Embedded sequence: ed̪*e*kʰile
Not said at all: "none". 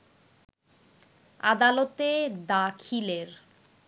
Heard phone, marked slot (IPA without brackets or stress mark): a